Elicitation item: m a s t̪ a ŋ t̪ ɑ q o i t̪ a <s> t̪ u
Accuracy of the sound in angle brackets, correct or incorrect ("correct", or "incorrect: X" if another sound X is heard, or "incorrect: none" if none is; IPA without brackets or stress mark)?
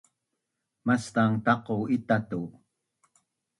incorrect: none